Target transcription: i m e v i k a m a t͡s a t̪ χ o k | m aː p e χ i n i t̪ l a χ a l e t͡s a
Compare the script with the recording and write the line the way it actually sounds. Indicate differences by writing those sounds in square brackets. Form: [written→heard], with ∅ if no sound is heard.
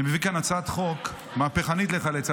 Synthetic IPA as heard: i m e v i k a [m→n] a t͡s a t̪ χ o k | m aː p e χ [i→a] n i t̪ l [a→e] χ a l e t͡s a